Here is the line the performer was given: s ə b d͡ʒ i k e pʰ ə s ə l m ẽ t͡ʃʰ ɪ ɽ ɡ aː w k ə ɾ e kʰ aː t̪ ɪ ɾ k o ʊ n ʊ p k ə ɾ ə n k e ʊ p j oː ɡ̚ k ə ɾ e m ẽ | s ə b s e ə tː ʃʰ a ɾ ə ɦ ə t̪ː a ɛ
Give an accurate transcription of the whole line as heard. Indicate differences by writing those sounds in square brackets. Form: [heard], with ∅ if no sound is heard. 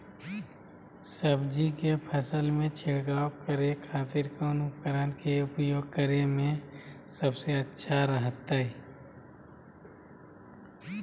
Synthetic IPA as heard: s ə b d͡ʒ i k e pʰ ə s ə l m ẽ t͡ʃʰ ɪ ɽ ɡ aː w k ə ɾ e kʰ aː t̪ ɪ ɾ k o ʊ n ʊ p k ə ɾ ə n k e ʊ p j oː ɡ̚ k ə ɾ e m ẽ | s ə b s e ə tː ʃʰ a ɾ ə ɦ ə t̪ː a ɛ